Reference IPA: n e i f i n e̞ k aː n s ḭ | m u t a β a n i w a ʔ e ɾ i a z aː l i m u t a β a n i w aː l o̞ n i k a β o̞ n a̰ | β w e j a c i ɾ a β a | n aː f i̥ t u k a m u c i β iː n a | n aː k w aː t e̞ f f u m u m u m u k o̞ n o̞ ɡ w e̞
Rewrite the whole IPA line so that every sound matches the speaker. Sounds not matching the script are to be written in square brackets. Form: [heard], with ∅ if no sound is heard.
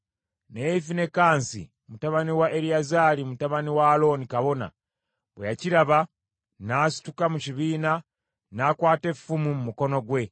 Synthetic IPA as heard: n e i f i n e̞ k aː n s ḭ | m u t a β a n i w a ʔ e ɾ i a z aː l i m u t a β a n i w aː l o̞ n i k a β o̞ n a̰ | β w e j a c i ɾ a β a | n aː [s] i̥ t u k a m u c i β iː n a | n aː k w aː t e̞ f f u m u m u m u k o̞ n o̞ ɡ w e̞

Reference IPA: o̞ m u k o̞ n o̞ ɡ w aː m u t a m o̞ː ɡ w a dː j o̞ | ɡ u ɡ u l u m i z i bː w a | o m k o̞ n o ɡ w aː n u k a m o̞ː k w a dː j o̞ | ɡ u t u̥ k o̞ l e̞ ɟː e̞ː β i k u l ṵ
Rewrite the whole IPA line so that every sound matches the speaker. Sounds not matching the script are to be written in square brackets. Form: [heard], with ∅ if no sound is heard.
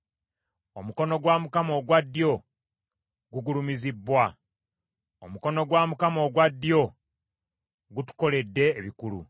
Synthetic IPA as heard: o̞ m u k o̞ n o̞ ɡ w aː m u [k] a m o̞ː ɡ w a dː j o̞ | ɡ u ɡ u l u m i z i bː w a | o m k o̞ n o ɡ w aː [m] u k a m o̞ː [ɡ] w a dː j o̞ | ɡ u t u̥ k o̞ l e̞ [dː] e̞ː β i k u l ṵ

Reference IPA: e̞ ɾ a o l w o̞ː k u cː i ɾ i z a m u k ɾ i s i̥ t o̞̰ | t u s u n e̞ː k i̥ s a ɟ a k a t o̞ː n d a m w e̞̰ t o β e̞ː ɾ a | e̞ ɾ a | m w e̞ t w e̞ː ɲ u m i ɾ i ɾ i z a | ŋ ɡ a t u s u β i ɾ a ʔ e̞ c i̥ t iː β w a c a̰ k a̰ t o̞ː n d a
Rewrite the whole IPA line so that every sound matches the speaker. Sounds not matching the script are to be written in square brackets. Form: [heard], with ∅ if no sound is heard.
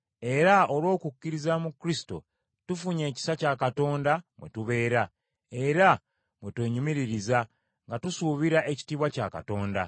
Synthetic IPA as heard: e̞ ɾ a o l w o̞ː k u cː i ɾ i z a m u k ɾ i s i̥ t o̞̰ | t u [f] u [ɲ] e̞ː [c] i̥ s a [c] a k a t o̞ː n d a m w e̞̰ t [u] β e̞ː ɾ a | e̞ ɾ a | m w e̞ t w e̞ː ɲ u m i ɾ i ɾ i z a | ŋ ɡ a t u s u β i ɾ a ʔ e̞ c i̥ t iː β w a c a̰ k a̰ t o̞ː n d a

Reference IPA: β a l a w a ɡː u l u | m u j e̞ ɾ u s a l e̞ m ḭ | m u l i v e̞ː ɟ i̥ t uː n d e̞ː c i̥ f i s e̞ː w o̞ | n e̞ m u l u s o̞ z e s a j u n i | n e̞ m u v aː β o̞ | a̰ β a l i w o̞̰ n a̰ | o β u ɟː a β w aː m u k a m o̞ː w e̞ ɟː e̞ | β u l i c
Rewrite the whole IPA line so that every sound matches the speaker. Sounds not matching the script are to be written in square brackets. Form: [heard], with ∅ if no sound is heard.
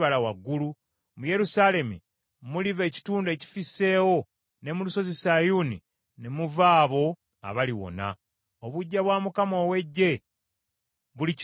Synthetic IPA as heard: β a l a w a ɡː u l u | m u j e̞ ɾ u s a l e̞ m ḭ | m u l i v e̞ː [c] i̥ t uː n d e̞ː c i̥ f i s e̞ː w o̞ | n e̞ m u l u s o̞ z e s a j u n i | n e̞ m u v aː β o̞ | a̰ β a l i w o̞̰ n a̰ | o β u ɟː a β w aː m u k a m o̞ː w e̞ ɟː e̞ | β u l i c

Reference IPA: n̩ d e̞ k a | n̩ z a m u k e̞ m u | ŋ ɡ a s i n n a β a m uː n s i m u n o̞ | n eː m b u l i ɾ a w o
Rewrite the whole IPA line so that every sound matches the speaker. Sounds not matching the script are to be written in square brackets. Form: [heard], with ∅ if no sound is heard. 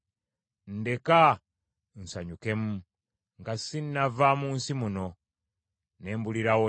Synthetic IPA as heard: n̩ d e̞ k a | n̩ [s] a [ɲ] u k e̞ m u | ŋ ɡ a s i n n a [v] a m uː n s i m u n o̞ | n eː m b u l i ɾ a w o

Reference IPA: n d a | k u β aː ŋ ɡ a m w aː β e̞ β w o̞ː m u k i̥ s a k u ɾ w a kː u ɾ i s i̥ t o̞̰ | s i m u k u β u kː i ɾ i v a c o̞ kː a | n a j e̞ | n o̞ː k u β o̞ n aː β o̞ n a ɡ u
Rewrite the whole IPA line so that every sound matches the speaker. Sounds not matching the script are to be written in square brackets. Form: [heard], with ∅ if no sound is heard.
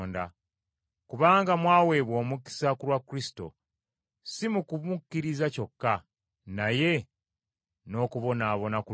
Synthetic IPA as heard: n d a | k u β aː ŋ ɡ a m w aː [w] e̞ β w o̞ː m u k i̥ s a k u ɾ w a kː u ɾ i s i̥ t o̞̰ | s i m u k u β u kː i ɾ i [z] a c o̞ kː a | n a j e̞ | n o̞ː k u β o̞ n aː β o̞ n a [k] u

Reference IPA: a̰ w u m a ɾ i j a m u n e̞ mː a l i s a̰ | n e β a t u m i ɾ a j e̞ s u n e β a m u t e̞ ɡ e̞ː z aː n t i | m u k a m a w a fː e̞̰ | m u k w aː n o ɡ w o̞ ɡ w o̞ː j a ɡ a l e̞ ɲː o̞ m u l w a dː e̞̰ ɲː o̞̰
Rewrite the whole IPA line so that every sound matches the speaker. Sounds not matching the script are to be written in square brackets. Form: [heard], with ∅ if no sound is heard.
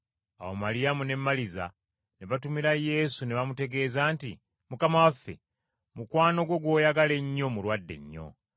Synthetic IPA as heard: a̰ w [o] m a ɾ i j a m u n e̞ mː a l i [z] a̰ | n e β a t u m i ɾ a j e̞ s u n e β a m u t e̞ ɡ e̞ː z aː n t i | m u k a m a w a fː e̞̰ | m u k w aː n o ɡ w o̞ ɡ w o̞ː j a ɡ a l e̞ ɲː o̞ m u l w a dː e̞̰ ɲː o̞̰

